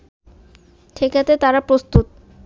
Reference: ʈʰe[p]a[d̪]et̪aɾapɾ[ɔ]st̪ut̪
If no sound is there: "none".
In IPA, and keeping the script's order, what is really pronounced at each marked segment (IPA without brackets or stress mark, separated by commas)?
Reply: k, t̪, o